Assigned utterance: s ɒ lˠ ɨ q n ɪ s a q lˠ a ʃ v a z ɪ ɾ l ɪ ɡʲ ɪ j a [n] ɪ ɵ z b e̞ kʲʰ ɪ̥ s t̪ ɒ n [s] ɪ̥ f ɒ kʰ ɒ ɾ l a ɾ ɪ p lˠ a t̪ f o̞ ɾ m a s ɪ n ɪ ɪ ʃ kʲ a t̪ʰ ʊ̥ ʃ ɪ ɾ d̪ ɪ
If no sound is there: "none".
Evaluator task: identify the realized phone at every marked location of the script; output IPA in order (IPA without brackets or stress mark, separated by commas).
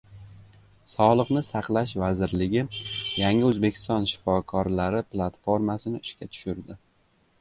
ŋ, ʃ